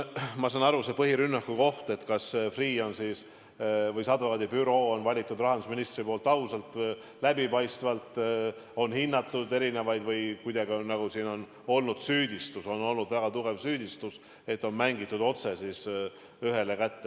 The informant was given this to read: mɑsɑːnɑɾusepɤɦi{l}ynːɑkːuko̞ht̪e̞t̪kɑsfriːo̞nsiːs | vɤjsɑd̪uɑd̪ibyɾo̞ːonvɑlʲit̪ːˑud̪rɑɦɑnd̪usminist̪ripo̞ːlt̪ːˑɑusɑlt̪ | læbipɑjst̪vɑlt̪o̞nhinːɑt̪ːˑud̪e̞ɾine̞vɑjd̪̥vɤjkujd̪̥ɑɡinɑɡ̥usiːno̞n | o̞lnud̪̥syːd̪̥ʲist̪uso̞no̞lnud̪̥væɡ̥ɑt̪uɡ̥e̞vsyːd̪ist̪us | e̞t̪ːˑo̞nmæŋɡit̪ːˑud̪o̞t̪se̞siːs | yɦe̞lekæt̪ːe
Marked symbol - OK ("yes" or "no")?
no